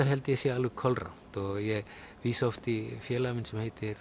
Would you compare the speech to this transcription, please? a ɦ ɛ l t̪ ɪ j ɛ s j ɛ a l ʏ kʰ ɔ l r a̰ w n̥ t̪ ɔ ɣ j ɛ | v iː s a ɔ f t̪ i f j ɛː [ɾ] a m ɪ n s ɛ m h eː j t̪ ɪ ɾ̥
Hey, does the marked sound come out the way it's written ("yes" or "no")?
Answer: no